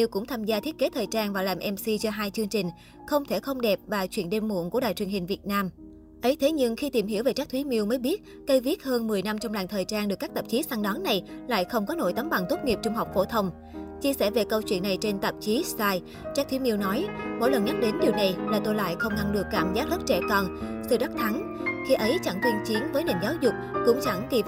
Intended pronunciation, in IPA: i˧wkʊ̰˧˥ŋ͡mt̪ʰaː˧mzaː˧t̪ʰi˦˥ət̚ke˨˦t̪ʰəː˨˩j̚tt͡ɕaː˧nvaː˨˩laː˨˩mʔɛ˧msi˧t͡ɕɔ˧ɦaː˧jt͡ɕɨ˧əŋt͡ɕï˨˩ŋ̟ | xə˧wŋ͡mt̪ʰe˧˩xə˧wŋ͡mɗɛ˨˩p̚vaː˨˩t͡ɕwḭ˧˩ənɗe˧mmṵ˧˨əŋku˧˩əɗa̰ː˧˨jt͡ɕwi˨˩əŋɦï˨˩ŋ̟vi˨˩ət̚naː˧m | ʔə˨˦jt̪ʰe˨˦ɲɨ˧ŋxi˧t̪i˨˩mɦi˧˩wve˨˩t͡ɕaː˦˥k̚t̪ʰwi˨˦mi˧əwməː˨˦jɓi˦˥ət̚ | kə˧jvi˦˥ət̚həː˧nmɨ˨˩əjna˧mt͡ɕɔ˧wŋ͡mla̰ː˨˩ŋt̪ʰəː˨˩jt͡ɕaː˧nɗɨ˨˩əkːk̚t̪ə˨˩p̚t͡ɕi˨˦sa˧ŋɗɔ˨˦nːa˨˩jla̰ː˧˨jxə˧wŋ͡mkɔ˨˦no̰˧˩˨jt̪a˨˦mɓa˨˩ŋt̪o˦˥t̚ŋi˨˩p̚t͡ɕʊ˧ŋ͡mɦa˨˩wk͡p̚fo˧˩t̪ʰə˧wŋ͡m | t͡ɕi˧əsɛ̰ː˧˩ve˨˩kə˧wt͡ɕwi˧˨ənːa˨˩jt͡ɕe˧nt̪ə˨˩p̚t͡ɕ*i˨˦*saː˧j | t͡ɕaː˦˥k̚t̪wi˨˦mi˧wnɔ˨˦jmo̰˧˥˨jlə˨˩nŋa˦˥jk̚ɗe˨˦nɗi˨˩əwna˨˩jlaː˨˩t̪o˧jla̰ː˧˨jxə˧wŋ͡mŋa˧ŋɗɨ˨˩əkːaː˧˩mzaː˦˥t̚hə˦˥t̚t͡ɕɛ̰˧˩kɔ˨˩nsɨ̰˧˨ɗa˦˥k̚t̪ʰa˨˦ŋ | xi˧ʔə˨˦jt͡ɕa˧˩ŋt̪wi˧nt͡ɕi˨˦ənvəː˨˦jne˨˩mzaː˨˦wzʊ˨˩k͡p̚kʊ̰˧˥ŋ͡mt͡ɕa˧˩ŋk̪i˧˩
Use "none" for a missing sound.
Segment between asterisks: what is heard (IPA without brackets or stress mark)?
i˨˦